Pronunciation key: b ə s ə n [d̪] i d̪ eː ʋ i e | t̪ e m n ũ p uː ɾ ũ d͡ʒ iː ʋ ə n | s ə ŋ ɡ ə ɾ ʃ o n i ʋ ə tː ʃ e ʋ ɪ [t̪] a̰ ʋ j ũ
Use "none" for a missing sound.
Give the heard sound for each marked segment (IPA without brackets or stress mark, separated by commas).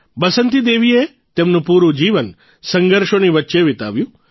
t̪, t̪